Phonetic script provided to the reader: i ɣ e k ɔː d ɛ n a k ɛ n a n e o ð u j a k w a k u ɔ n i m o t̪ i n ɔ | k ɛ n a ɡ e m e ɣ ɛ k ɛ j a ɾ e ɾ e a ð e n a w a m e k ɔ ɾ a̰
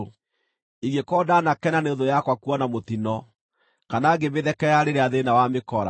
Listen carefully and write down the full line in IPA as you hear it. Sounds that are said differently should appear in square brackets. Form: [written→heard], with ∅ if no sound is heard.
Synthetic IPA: i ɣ e k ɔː d [ɛ→a] n a k ɛ n a n e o ð [u→o] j a k w a k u ɔ n [i→a] m o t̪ i n ɔ | k [ɛ→a] n a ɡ e m e [ɣ→ð] ɛ k ɛ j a ɾ e ɾ e a ð e n a w a m e k ɔ ɾ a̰